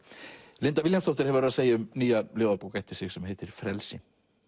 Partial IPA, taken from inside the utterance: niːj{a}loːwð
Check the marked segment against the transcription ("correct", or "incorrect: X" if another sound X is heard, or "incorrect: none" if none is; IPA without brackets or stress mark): correct